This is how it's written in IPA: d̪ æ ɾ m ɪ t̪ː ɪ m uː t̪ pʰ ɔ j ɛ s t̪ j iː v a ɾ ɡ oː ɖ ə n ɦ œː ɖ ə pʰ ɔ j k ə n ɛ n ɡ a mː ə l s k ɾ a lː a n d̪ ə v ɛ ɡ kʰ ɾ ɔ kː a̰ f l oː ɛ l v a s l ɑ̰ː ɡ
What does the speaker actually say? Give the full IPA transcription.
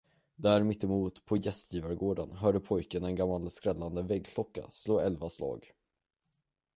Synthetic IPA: d̪ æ ɾ m ɪ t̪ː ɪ m uː t̪ pʰ ɔ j ɛ s t̪ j iː v a ɾ ɡ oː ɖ ə n ɦ œː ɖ ə pʰ ɔ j k ə n ɛ n ɡ a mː a l s k ɾ ɛ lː a n d̪ ə v ɛ ɡ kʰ l ɔ kː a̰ s l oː ɛ l v a s l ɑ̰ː ɡ